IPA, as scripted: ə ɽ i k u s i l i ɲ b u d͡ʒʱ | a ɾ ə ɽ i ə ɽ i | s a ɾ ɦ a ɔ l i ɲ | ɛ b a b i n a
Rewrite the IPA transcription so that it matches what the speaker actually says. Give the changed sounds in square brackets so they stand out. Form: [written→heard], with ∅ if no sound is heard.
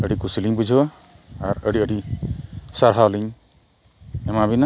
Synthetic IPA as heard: ə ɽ i k u s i l i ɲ b u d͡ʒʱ | a ɾ ə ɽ i ə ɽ i | s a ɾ ɦ a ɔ l i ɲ | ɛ [b→m] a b i n a

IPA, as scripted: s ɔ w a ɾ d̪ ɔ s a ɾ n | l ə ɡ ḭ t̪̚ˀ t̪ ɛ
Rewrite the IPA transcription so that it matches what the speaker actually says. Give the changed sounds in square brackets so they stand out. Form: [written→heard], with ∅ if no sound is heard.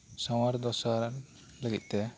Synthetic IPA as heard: s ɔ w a ɾ d̪ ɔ s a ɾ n | l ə ɡ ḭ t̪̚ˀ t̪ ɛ

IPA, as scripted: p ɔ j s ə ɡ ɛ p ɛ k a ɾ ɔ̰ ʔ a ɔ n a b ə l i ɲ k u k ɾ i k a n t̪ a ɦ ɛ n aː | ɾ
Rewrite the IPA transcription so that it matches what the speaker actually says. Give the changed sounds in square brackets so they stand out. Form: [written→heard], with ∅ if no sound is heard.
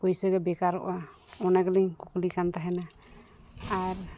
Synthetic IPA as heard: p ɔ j s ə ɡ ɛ [p→b] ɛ k a ɾ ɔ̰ ʔ a ɔ n a [b→ɡ] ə l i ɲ k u k [ɾ→l] i k a n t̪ a ɦ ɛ n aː | ɾ

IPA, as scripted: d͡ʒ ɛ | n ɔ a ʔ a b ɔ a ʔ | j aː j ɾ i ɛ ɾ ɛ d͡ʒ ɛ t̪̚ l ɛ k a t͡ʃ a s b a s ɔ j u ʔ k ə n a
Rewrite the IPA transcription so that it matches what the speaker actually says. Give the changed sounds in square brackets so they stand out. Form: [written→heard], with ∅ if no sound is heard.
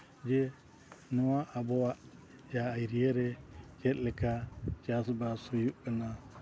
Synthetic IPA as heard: d͡ʒ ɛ | n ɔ a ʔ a b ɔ a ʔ | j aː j ɾ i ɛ ɾ ɛ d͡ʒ ɛ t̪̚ l ɛ k a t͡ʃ a s b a s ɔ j u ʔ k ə n a

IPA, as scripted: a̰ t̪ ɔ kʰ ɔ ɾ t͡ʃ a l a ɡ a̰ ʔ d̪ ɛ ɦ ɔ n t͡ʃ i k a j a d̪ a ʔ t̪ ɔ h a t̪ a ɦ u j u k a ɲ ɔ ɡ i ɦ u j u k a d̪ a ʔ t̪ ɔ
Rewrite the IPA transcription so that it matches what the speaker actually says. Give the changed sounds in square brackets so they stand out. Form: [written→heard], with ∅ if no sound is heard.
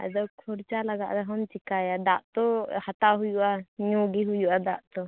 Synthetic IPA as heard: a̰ [t̪→d̪] ɔ kʰ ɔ ɾ t͡ʃ a l a ɡ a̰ ʔ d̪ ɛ ɦ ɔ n t͡ʃ i k a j a d̪ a ʔ t̪ ɔ h a t̪ a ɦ u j u [k→ʔ] a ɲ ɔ ɡ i ɦ u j u [k→ʔ] a d̪ a ʔ t̪ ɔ

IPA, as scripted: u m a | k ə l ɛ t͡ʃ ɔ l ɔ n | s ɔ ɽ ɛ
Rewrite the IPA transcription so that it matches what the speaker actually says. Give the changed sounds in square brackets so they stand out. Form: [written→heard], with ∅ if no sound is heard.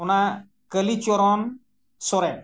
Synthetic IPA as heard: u [m→n] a | k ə l [ɛ→i] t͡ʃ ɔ [l→ɾ] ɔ n | s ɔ [ɽ→ɾ] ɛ

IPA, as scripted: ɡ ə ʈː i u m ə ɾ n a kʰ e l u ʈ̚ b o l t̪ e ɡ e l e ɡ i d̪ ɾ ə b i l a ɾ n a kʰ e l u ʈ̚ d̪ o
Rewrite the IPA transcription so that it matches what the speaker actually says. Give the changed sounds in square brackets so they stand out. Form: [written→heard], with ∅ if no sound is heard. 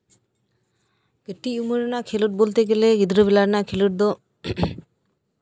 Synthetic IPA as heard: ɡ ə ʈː i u m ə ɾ n a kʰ e l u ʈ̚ b o l t̪ e ɡ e l e ɡ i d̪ ɾ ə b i l a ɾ n a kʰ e l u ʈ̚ d̪ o

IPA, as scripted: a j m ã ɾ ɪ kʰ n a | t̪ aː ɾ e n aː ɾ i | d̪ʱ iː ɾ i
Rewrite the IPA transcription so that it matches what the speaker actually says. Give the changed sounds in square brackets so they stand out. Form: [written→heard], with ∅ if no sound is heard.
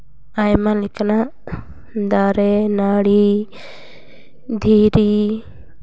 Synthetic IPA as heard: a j m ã [ɾ→l] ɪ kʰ n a | [t̪→d̪] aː ɾ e n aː [ɾ→ɽ] i | d̪ʱ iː ɾ i

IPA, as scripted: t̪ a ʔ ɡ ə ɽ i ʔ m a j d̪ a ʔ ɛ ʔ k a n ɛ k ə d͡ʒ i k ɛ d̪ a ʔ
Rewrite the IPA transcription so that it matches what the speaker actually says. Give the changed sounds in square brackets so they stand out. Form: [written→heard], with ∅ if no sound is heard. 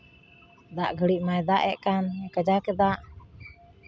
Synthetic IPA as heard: [t̪→d̪] a ʔ ɡ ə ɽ i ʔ m a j d̪ a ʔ ɛ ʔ k a n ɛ k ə d͡ʒ [i→a] k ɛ d̪ a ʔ

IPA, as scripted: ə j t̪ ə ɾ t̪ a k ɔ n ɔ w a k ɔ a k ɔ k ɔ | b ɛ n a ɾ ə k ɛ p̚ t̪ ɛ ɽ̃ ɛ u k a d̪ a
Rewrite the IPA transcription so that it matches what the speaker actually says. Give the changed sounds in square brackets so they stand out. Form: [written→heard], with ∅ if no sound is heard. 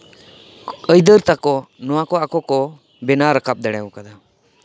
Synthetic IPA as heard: ə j [t̪→d̪] ə ɾ t̪ a k ɔ n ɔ w a k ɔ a k ɔ k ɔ | b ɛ n a ɾ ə k [ɛ→a] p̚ [t̪→d̪] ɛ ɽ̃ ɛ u k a d̪ a

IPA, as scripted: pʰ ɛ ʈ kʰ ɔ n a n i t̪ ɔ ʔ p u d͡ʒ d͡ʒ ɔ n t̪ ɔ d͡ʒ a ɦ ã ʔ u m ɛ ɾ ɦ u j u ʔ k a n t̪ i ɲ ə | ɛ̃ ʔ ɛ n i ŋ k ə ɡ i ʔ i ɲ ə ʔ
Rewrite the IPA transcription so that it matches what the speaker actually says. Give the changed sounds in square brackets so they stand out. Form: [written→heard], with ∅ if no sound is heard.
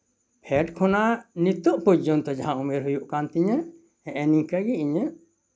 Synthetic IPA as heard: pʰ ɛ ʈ kʰ ɔ n a n i t̪ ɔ ʔ p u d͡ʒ d͡ʒ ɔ n t̪ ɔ d͡ʒ a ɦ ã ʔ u m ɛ ɾ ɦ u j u ʔ k a n t̪ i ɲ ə | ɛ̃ ʔ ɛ n i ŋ k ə ɡ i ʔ i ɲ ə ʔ

